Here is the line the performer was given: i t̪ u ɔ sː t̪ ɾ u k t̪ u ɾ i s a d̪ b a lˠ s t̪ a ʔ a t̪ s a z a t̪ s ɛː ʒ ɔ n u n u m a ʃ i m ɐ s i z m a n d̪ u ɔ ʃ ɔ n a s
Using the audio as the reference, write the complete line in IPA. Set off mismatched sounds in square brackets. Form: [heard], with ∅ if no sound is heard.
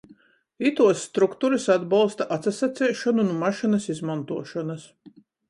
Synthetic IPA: i t̪ u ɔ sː t̪ ɾ u k t̪ u ɾ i s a d̪ b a lˠ s t̪ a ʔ a t̪ s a [s] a t̪ s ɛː [ʃ] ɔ n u n u m a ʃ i [n] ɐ s i z m a n [t̪] u ɔ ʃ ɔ n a s